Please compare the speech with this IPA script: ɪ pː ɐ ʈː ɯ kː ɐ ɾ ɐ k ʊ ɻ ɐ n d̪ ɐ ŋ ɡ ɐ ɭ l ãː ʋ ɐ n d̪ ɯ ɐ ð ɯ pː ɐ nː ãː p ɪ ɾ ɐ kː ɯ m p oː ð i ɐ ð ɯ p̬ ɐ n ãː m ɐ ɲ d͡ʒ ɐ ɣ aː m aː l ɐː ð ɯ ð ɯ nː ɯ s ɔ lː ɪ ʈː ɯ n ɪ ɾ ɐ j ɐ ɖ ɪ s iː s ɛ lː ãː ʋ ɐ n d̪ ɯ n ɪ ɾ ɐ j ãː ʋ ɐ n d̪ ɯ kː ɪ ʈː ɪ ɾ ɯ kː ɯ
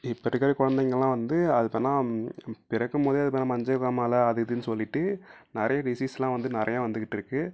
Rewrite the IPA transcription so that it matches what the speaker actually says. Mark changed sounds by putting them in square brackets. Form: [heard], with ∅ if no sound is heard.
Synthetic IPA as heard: ɪ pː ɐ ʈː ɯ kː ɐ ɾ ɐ k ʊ ɻ ɐ n d̪ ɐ ŋ ɡ ɐ ɭ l ãː ʋ ɐ n d̪ ɯ ɐ ð ɯ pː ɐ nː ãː p ɪ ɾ ɐ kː ɯ m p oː ð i ɐ ð ɯ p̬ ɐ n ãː m ɐ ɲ d͡ʒ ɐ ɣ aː m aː l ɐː ð ɯ ð ɯ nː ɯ s ɔ lː ɪ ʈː ɯ n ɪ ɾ ɐ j ɐ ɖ ɪ s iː s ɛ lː ãː ʋ ɐ n d̪ ɯ n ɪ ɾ ɐ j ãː ʋ ɐ n d̪ ɯ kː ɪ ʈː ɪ ɾ ɯ kː ɯ